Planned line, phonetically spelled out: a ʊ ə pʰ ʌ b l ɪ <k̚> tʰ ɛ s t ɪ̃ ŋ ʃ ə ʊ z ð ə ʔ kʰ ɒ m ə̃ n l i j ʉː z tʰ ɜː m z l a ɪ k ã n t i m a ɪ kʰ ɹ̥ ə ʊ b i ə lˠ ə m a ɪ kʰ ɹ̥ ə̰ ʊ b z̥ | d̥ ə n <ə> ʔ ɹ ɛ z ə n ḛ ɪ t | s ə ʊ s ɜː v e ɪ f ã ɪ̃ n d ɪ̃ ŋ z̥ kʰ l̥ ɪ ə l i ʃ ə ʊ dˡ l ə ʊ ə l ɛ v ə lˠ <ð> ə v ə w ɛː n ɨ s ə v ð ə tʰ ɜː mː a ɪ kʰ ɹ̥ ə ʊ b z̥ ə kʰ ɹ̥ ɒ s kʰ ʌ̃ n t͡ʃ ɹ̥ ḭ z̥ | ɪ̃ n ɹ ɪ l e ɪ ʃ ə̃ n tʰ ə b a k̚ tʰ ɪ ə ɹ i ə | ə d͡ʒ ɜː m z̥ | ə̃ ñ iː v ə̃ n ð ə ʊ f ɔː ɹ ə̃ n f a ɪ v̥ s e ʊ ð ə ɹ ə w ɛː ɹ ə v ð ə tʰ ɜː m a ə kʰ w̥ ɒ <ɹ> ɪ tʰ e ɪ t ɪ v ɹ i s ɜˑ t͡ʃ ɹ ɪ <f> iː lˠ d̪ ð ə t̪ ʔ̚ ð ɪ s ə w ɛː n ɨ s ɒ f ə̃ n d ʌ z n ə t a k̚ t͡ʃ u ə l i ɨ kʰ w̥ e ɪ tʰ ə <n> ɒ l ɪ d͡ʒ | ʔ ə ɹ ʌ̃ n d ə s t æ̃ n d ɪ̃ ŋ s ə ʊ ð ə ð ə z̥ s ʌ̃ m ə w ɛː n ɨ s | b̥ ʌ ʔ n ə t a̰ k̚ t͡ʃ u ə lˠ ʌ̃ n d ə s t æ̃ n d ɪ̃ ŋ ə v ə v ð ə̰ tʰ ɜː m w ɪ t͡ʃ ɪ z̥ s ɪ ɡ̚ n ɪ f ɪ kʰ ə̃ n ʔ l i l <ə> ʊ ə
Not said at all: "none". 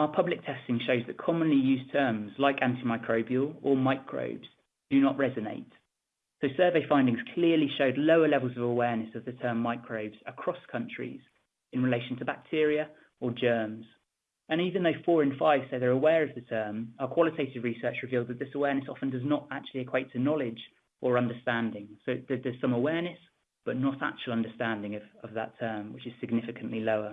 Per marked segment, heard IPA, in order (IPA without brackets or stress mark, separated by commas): k̚, ə, z, l, v, n, ə